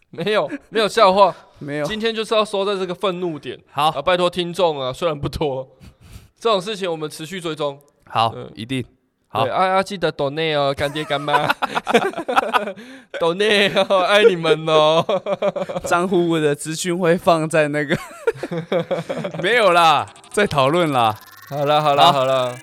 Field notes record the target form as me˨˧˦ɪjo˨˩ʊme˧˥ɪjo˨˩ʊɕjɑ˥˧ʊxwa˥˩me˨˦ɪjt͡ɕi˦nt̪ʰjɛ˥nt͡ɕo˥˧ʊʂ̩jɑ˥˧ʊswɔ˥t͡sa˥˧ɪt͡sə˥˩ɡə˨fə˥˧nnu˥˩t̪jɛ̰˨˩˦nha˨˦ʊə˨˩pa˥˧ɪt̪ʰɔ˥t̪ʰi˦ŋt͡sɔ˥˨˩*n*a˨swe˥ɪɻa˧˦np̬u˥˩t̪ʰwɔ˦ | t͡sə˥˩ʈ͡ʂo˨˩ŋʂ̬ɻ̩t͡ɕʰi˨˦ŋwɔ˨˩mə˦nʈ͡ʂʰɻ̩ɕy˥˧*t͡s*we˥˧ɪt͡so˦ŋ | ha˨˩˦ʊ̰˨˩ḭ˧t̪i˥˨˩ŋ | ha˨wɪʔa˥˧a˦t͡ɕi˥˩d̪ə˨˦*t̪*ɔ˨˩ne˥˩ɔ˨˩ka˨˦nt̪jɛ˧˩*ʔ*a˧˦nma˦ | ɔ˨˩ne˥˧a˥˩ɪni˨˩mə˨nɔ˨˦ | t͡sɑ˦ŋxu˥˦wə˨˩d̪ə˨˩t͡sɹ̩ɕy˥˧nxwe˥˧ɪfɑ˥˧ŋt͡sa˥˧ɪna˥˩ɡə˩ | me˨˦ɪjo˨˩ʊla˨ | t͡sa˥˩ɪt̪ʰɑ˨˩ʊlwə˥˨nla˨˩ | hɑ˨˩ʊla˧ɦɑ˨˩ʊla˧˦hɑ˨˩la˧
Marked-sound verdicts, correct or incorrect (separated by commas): incorrect, correct, correct, incorrect